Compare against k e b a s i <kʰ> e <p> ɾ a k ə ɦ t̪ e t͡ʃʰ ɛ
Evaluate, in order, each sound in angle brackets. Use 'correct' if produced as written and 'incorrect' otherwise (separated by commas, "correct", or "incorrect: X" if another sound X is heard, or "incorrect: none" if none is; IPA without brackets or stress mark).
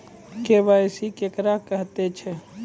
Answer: incorrect: k, incorrect: k